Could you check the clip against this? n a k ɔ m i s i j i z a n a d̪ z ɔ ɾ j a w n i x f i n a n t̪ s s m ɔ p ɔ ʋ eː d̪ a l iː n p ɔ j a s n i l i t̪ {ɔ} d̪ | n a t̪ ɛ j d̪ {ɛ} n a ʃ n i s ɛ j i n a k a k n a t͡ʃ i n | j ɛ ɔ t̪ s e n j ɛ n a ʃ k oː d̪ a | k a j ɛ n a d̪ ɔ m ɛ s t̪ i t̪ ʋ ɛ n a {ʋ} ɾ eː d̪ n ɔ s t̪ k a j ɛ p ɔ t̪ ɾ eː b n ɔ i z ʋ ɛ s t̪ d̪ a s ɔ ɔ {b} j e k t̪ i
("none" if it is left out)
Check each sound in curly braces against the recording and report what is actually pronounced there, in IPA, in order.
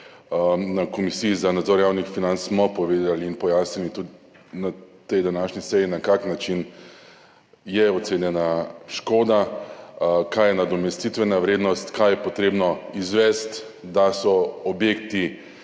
u, a, ʋ, b

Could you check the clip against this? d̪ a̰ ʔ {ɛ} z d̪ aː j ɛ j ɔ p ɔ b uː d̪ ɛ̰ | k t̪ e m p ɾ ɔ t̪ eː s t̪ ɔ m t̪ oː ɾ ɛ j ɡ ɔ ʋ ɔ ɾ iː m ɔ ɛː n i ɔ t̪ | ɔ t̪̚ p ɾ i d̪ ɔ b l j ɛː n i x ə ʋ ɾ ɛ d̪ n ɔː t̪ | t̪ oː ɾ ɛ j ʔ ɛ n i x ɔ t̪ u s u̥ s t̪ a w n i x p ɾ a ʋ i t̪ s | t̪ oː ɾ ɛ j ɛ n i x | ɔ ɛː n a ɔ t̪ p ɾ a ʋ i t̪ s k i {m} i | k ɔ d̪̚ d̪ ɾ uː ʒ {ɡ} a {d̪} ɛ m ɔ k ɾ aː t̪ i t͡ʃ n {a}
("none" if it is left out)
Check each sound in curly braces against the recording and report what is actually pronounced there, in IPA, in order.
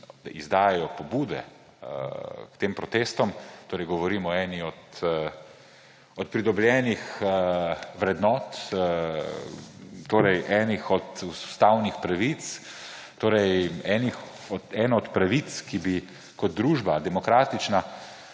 i, b, b, d̪, a

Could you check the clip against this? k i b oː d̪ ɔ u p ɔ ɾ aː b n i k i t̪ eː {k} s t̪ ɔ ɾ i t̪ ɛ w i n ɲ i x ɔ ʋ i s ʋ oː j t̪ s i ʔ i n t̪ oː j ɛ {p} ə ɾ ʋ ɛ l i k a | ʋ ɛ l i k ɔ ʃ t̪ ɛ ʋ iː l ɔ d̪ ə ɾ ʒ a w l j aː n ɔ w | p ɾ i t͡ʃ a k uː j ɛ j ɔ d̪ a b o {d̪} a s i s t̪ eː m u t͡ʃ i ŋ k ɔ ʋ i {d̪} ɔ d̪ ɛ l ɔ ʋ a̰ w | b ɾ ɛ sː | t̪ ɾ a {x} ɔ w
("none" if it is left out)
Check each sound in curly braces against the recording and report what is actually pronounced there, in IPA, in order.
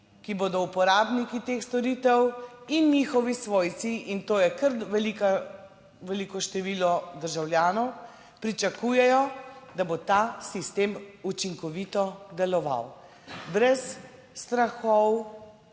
x, k, t̪, t̪, x

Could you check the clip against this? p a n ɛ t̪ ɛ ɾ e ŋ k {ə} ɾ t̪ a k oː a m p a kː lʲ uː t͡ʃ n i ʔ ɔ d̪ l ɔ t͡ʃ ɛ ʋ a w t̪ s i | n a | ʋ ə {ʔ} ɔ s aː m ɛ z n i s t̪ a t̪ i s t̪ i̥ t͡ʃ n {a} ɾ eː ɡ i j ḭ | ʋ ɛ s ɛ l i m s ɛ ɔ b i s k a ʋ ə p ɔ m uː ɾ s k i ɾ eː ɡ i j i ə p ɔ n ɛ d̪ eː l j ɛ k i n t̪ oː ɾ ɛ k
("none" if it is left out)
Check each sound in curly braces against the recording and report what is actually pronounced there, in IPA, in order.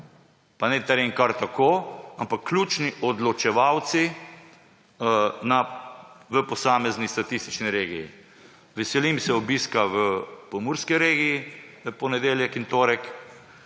a, p, i

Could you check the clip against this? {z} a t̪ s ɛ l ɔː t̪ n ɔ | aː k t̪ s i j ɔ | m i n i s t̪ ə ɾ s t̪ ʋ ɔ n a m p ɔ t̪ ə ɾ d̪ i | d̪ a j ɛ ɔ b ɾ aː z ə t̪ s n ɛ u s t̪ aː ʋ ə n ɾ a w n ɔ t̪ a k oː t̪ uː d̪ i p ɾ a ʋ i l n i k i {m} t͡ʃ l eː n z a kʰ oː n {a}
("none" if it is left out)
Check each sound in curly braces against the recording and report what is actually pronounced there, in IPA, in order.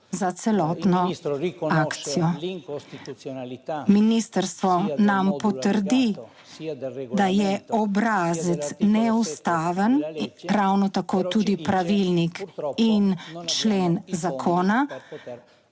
z, n, a

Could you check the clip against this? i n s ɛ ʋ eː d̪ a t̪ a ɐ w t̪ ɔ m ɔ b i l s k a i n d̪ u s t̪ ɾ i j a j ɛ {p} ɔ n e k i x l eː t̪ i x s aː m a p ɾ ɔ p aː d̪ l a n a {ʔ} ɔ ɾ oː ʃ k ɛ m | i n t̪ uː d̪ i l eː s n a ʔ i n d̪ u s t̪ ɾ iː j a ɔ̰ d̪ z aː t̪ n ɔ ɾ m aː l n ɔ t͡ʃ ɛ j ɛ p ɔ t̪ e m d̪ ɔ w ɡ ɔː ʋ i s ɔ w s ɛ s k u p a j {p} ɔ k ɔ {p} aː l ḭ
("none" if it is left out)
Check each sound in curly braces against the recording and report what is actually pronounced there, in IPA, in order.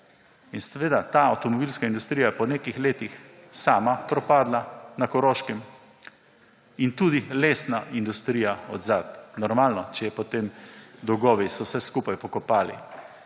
p, k, p, p

